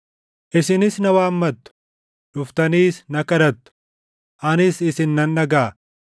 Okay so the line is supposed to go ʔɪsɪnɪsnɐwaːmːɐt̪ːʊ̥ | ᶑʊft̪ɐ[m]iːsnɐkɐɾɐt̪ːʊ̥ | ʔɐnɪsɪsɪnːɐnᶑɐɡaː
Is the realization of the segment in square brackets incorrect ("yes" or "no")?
yes